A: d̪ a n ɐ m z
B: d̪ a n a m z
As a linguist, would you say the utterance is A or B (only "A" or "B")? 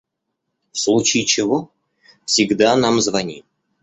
B